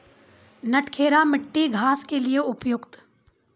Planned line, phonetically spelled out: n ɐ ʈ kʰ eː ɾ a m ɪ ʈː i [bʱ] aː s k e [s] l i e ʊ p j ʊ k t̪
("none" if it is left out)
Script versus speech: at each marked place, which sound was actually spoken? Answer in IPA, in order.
ɡʱ, none

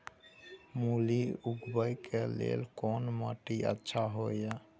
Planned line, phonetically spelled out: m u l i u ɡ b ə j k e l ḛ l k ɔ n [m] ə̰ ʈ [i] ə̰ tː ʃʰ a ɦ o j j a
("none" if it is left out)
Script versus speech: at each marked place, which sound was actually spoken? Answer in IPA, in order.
m, i

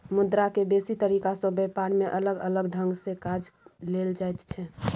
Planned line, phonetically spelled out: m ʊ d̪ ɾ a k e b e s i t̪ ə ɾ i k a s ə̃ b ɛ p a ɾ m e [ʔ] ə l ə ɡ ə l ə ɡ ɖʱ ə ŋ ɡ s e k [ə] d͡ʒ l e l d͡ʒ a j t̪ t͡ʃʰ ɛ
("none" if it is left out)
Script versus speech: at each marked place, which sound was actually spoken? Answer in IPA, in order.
ʔ, a

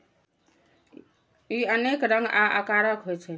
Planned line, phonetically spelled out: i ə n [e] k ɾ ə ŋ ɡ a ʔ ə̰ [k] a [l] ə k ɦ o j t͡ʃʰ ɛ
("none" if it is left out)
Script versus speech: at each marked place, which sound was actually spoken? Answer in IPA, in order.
e, k, ɾ

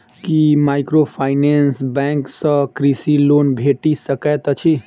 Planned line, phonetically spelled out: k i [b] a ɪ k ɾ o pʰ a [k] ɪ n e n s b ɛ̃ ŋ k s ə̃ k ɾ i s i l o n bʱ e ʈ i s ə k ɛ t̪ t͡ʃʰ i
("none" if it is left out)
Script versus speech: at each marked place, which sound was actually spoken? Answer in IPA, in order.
m, none

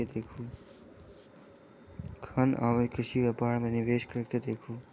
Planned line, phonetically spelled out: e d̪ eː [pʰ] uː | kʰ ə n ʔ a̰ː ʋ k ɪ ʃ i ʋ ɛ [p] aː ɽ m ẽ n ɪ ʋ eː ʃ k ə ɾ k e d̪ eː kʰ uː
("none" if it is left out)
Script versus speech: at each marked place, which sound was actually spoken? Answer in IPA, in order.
kʰ, p

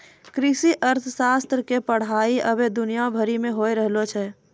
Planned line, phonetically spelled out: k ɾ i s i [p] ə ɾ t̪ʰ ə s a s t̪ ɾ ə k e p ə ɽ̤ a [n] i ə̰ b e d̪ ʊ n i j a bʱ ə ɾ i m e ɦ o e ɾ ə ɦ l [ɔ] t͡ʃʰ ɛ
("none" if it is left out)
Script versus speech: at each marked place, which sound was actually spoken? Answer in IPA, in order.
ʔ, none, o

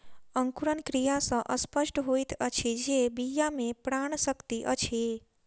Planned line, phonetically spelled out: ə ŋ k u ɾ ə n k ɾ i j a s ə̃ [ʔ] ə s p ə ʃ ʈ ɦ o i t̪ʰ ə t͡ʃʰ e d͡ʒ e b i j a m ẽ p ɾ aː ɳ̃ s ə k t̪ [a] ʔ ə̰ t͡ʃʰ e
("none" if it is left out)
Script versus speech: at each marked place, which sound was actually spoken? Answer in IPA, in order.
ʔ, i

